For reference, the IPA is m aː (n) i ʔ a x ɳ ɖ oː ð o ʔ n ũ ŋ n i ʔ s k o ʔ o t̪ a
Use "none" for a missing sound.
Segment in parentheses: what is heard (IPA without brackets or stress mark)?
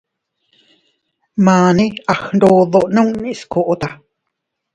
n